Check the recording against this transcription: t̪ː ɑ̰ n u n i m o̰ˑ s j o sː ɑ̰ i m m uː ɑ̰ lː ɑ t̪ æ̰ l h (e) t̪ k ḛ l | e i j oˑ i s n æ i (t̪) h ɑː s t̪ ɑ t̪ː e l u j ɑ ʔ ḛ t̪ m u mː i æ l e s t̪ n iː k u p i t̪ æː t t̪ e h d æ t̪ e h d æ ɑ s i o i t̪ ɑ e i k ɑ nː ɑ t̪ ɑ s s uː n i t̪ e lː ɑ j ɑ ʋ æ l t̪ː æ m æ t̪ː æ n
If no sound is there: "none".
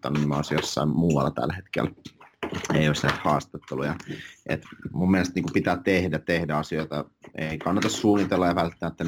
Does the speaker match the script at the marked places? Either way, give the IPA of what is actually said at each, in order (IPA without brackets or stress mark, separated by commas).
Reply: e, t̪